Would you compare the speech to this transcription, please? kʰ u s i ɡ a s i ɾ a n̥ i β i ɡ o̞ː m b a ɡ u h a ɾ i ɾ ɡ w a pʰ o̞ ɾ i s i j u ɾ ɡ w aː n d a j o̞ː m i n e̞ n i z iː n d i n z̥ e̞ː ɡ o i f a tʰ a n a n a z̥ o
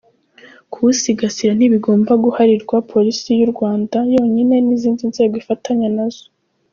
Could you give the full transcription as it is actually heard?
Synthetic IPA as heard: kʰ u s i ɡ a s i ɾ a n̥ i β i ɡ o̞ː m b a ɡ u h a ɾ i ɾ ɡ w a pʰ o̞ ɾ i s i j u ɾ ɡ w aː n d a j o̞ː ɲ i n e̞ n i z iː n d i n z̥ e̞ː ɡ o i f a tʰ a ɲ a n a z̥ o